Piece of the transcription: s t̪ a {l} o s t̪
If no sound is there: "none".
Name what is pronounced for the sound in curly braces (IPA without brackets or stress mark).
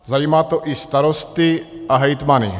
ɾ